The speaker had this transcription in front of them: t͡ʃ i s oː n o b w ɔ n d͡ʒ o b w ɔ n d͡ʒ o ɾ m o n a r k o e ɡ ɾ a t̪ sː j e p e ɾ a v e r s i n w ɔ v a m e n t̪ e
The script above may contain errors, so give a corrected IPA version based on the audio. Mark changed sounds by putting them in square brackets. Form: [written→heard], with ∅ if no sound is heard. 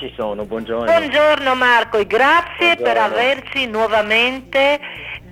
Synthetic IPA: t͡ʃ i s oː n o b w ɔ n d͡ʒ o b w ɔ n d͡ʒ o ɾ [m→n] o [n→m] a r k o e ɡ ɾ a t̪ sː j e p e ɾ a v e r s i n w ɔ v a m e n t̪ e